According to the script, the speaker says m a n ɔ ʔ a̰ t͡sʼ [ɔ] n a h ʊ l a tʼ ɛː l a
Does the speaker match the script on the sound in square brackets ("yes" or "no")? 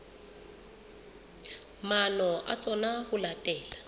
yes